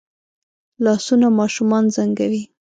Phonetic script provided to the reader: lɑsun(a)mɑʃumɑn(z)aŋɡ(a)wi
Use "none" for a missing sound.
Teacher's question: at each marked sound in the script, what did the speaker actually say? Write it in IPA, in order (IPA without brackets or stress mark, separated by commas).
a, z, a